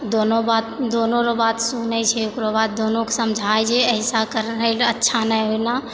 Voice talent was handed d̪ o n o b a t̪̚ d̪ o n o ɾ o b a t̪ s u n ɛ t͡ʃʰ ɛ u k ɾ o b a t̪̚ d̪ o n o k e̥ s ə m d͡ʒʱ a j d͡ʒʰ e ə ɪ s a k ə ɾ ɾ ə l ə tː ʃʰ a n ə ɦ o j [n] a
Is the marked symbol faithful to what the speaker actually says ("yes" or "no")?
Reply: yes